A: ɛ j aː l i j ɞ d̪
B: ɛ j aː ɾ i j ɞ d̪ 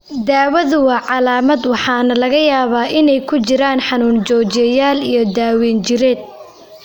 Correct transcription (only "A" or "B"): A